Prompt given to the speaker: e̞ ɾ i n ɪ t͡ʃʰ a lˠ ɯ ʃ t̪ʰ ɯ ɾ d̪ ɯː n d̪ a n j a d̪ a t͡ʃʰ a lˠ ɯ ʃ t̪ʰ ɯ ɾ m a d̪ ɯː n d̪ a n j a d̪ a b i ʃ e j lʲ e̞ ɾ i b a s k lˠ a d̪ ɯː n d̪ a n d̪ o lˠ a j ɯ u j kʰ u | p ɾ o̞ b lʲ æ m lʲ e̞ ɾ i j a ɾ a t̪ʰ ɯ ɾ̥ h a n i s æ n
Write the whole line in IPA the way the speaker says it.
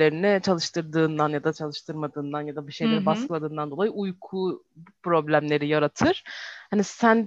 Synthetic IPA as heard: e̞ ɾ i n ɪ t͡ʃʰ a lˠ ɯ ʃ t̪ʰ ɯ ɾ d̪ ɯː n d̪ a n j a d̪ a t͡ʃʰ a lˠ ɯ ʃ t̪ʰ ɯ ɾ m a d̪ ɯː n d̪ a n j a d̪ a b i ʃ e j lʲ e̞ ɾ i b a s k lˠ a d̪ ɯː n d̪ a n d̪ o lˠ a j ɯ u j kʰ u | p ɾ o̞ b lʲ æ m lʲ e̞ ɾ i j a ɾ a t̪ʰ ɯ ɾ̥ h a n i s æ n